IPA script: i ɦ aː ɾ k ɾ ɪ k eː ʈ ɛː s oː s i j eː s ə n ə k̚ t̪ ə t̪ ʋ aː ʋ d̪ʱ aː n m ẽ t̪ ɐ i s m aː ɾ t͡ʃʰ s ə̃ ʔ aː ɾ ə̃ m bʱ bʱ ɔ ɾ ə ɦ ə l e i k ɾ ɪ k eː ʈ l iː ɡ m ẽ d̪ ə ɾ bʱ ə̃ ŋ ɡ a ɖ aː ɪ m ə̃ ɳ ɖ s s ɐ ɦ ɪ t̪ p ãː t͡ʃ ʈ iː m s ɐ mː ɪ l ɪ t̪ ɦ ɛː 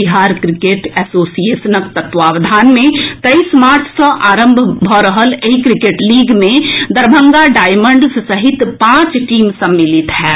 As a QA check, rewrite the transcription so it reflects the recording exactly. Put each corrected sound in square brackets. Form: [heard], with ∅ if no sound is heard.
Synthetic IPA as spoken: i ɦ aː ɾ k ɾ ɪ k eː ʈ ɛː s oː s i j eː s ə n ə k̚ t̪ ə t̪ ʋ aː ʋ d̪ʱ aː n m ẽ t̪ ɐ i s m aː ɾ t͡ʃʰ s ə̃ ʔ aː ɾ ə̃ m bʱ bʱ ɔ ɾ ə ɦ ə l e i k ɾ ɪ k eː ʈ l iː ɡ m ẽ d̪ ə ɾ bʱ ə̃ ŋ ɡ a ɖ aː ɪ m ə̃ ɳ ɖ s s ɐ ɦ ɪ t̪ p ãː t͡ʃ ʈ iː m s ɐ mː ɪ l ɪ t̪ ɦ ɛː